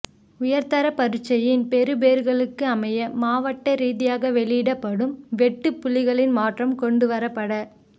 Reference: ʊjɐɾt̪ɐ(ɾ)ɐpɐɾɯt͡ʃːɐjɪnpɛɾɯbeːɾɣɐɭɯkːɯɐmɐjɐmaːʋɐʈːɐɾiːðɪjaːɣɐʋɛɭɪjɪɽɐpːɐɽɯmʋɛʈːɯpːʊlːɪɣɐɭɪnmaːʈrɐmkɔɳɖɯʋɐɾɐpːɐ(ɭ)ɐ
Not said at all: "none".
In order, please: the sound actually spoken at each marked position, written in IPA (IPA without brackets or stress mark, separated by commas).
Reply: ɾ, ɽ